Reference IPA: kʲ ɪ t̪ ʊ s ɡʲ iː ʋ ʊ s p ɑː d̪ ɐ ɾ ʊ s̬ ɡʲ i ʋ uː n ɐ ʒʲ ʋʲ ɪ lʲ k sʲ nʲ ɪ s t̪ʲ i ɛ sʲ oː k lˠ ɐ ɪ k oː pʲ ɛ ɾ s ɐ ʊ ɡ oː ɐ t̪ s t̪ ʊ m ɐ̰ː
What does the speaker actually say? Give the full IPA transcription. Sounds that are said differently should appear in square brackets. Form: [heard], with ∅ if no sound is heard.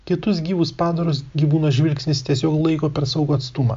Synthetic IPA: kʲ ɪ t̪ ʊ s ɡʲ iː ʋ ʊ s p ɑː d̪ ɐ ɾ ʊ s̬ ɡʲ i ʋ uː n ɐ ʒʲ ʋʲ ɪ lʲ k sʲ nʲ ɪ s t̪ʲ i ɛ sʲ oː k lˠ ɐ ɪ k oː pʲ ɛ ɾ s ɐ ʊ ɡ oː ɐ t̪ s t̪ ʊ m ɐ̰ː

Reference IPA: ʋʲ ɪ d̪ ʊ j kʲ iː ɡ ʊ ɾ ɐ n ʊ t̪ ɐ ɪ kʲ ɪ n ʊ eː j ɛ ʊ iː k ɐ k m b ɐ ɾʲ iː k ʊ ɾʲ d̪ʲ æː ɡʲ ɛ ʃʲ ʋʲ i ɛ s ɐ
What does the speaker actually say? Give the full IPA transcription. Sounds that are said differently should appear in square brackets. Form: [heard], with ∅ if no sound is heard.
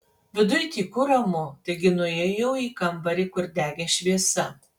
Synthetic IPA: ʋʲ ɪ d̪ ʊ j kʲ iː [k] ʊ ɾ ɐ [m] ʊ t̪ ɐ ɪ [ɡʲ] ɪ n ʊ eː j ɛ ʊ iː k ɐ [∅] m b ɐ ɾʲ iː k ʊ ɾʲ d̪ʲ æː ɡʲ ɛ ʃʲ ʋʲ i ɛ s ɐ

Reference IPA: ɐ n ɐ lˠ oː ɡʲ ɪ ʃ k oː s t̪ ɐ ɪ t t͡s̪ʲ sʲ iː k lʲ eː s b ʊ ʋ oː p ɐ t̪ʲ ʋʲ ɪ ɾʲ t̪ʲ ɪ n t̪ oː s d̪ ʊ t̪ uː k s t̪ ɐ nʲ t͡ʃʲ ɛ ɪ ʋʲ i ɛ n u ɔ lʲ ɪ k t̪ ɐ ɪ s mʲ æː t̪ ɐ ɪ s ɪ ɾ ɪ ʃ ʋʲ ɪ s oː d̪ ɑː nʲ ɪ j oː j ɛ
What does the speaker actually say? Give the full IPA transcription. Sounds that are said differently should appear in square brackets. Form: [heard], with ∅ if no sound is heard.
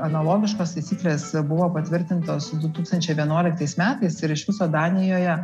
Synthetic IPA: ɐ n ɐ lˠ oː ɡʲ ɪ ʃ k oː s t̪ ɐ ɪ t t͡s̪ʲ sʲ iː k lʲ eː s b ʊ ʋ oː p ɐ t̪ʲ ʋʲ ɪ ɾʲ t̪ʲ ɪ n t̪ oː s d̪ ʊ t̪ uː k s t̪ ɐ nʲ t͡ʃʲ ɛ ɪ ʋʲ i ɛ n u ɔ lʲ ɪ k t̪ ɐ ɪ s mʲ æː t̪ ɐ ɪ s ɪ ɾ ɪ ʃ ʋʲ ɪ s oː d̪ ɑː nʲ ɪ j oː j ɛ

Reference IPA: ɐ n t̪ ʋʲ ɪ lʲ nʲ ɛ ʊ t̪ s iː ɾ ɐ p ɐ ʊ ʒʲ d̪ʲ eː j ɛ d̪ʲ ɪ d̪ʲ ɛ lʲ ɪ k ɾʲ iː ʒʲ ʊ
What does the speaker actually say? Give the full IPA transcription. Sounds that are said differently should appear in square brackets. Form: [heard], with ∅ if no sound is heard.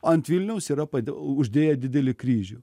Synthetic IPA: ɐ n t̪ ʋʲ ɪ lʲ nʲ ɛ ʊ [∅] s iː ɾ ɐ p ɐ ʊ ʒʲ d̪ʲ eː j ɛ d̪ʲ ɪ d̪ʲ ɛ lʲ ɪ k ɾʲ iː ʒʲ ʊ

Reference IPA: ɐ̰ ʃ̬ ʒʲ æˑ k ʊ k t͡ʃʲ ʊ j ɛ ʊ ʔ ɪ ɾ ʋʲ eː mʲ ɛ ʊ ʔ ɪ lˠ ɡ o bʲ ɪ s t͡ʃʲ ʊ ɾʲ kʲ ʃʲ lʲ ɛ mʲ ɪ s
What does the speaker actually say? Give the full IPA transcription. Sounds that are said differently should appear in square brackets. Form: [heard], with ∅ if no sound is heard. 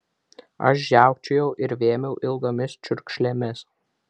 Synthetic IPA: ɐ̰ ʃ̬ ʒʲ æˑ [∅] ʊ k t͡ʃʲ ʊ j ɛ ʊ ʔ ɪ ɾ ʋʲ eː mʲ ɛ ʊ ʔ ɪ lˠ ɡ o [mʲ] ɪ s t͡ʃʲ ʊ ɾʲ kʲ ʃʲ lʲ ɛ mʲ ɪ s

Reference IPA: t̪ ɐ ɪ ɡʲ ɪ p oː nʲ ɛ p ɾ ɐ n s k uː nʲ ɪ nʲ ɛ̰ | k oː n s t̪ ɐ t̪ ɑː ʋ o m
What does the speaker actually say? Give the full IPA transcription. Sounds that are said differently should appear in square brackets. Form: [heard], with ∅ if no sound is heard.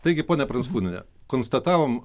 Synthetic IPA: t̪ ɐ ɪ ɡʲ ɪ p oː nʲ ɛ p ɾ ɐ n s k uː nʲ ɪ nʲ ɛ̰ | k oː n s t̪ ɐ t̪ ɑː ʋ o m

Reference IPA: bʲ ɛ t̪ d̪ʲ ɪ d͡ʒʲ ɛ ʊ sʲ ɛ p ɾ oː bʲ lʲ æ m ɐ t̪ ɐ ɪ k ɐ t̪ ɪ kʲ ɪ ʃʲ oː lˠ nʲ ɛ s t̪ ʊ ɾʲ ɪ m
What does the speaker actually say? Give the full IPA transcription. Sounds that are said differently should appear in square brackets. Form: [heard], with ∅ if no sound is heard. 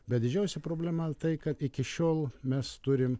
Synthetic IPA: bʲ ɛ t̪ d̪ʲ ɪ d͡ʒʲ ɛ ʊ sʲ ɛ p ɾ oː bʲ lʲ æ m ɐ t̪ ɐ ɪ k ɐ t̪ ɪ kʲ ɪ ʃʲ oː lˠ [mʲ] ɛ s t̪ ʊ ɾʲ ɪ m

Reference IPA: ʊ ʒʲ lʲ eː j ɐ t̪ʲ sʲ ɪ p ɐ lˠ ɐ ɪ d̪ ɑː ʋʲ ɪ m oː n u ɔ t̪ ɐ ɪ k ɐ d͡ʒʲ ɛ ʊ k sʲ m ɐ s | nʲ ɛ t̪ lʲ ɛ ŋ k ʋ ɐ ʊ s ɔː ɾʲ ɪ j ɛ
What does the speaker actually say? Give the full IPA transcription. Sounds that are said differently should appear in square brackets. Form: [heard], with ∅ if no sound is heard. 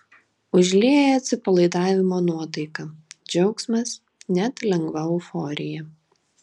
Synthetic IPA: ʊ ʒʲ lʲ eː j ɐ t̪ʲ sʲ ɪ p ɐ lˠ ɐ ɪ d̪ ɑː ʋʲ ɪ m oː n u ɔ t̪ ɐ ɪ k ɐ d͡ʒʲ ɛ ʊ k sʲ m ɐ s | nʲ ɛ t̪ lʲ ɛ ŋ [ɡ] ʋ ɐ ʊ [f] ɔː ɾʲ ɪ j ɛ

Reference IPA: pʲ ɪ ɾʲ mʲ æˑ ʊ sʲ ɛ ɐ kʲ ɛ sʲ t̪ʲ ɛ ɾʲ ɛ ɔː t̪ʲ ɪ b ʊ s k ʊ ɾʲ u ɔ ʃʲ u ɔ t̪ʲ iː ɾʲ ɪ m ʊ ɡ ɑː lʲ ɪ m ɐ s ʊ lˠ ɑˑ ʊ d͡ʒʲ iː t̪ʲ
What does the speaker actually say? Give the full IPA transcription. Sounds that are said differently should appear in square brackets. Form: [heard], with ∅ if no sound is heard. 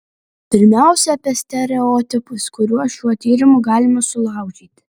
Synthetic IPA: pʲ ɪ ɾʲ mʲ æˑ ʊ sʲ ɛ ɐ [pʲ] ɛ sʲ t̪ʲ ɛ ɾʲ ɛ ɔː t̪ʲ ɪ [p] ʊ s k ʊ ɾʲ u ɔ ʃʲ u ɔ t̪ʲ iː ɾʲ ɪ m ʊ ɡ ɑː lʲ ɪ m ɐ s ʊ lˠ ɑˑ ʊ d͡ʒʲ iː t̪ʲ

